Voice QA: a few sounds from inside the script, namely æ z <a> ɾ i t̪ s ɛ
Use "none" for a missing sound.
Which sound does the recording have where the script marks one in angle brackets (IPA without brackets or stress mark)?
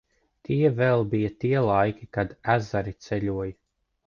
a